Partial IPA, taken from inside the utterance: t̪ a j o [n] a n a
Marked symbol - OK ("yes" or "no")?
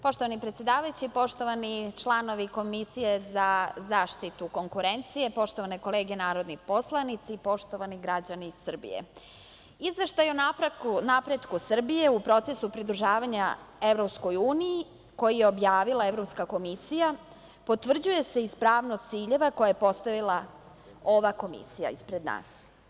yes